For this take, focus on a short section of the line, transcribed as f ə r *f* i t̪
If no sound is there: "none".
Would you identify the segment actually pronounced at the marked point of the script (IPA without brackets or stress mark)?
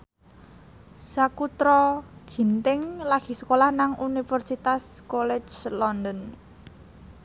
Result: s